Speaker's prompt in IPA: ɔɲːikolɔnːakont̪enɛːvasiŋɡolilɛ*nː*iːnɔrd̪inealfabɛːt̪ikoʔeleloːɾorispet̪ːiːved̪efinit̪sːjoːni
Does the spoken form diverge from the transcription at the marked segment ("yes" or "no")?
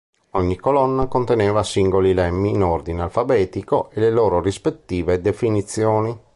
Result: yes